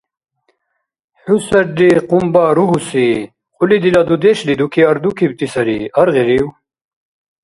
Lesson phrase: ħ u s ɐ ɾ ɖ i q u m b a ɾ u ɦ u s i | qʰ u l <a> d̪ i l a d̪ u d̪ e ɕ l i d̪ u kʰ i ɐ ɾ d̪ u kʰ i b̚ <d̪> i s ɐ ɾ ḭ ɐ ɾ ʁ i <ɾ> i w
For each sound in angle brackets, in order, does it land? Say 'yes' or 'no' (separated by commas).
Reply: no, no, yes